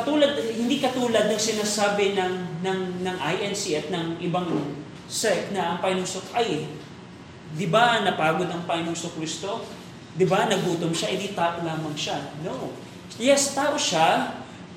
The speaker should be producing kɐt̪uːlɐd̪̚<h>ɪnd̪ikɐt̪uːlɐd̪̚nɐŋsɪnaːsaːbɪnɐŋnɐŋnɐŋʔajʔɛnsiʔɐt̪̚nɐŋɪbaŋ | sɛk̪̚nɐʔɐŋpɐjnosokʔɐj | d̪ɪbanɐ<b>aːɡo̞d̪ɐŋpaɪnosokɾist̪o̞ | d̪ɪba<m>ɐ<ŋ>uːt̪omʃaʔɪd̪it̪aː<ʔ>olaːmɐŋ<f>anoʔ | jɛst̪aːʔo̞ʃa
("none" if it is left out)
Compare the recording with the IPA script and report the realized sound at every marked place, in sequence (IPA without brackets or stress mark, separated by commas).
h, p, n, ɡ, ʔ, ʃ